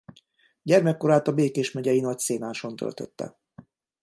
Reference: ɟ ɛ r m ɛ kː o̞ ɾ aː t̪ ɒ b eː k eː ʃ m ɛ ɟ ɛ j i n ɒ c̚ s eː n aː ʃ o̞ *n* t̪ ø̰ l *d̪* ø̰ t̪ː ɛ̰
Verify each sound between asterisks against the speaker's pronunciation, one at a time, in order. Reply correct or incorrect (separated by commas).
correct, incorrect